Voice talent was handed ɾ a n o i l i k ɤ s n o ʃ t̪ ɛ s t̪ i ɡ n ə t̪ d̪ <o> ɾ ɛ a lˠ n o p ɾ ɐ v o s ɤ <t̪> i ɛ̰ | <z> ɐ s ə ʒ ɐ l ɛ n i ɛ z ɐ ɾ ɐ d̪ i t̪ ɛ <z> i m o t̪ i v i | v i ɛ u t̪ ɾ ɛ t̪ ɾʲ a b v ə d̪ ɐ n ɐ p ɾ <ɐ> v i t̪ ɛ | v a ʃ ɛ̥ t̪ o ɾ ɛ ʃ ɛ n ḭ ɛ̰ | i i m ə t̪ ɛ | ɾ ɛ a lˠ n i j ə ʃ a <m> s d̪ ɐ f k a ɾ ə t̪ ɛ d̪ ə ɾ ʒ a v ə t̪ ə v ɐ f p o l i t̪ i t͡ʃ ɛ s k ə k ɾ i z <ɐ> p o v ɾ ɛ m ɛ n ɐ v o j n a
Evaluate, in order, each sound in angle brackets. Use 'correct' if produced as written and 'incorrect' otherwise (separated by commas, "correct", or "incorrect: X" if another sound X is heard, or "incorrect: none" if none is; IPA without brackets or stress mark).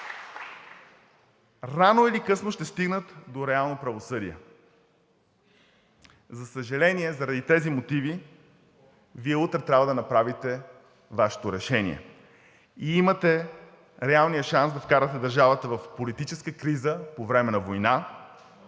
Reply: correct, incorrect: d̪, correct, correct, incorrect: a, incorrect: n, incorrect: ə